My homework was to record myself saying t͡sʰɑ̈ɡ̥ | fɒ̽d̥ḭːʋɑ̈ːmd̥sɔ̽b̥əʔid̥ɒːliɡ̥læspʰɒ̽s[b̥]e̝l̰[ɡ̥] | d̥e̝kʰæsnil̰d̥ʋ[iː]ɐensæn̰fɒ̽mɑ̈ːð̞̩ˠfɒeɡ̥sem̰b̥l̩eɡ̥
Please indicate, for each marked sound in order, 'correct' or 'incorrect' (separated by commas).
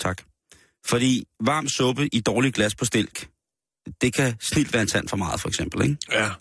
incorrect, correct, incorrect